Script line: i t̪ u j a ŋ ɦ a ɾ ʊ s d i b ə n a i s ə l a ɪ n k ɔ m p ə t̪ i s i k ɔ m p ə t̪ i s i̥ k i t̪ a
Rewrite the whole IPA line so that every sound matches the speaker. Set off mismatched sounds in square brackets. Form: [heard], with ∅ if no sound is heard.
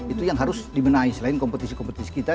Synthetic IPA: i t̪ u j a ŋ ɦ a ɾ ʊ s d i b ə n a i s ə l a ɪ n k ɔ m p ə t̪ i s i k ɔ m p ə t̪ i s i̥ k i t̪ a